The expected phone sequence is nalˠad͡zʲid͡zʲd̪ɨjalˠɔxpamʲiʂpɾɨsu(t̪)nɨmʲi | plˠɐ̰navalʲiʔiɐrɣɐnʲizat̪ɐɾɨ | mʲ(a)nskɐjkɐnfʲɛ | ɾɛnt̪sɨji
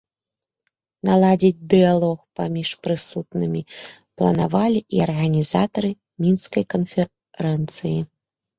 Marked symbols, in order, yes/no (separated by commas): yes, no